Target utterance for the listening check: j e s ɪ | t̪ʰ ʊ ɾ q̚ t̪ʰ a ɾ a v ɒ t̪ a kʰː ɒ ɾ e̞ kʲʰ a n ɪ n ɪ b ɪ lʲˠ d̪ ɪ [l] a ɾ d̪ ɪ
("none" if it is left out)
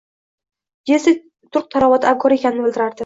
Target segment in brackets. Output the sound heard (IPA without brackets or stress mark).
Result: ɾ